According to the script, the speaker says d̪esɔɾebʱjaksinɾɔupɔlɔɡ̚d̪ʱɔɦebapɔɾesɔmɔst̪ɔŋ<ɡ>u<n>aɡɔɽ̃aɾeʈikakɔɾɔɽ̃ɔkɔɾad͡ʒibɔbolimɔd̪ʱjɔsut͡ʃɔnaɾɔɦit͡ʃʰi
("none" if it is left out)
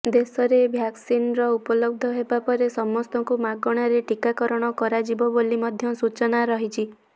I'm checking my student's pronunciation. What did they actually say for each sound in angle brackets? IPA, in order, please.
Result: k, m

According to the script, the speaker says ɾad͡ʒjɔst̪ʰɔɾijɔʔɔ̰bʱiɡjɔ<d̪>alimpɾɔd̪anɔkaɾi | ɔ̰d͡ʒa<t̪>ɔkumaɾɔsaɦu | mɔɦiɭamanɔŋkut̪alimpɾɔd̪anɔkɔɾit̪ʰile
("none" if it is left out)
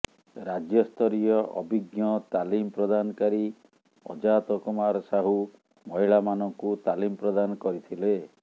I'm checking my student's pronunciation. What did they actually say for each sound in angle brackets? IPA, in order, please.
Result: t̪, t̪

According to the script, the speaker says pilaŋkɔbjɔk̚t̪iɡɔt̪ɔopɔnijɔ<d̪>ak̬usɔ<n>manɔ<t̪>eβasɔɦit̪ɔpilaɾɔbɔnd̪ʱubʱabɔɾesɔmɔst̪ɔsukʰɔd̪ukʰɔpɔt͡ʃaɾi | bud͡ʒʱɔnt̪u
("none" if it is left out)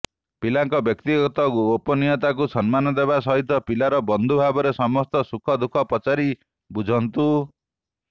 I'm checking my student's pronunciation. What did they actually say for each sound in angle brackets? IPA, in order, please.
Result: t̪, n, d̪

